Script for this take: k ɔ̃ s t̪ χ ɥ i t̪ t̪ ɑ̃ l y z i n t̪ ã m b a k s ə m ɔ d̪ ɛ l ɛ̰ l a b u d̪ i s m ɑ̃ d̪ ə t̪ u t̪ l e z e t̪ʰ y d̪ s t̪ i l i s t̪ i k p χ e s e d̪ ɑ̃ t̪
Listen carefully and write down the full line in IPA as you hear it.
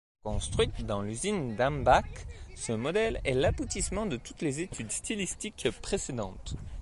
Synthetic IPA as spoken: k ɔ̃ s t̪ χ ɥ i t̪ d̪ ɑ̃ l y z i n d̪ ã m b a k s ə m ɔ d̪ ɛ l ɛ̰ l a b u t̪ i s m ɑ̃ d̪ ə t̪ u t̪ l e z e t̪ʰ y d̪ s t̪ i l i s t̪ i k p χ e s e d̪ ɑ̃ t̪